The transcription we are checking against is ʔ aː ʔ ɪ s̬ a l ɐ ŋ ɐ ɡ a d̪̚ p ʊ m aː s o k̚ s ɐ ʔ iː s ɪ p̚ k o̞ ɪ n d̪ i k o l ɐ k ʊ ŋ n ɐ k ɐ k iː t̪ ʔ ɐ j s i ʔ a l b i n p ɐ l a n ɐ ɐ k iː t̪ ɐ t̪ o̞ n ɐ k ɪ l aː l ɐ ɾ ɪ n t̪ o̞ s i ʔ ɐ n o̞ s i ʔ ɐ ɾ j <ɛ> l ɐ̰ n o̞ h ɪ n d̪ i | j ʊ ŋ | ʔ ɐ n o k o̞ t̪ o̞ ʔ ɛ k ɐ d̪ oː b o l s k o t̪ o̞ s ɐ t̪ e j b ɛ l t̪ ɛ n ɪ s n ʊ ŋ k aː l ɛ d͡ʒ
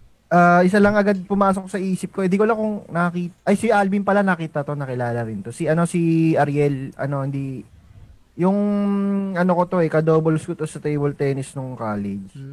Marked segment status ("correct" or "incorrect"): correct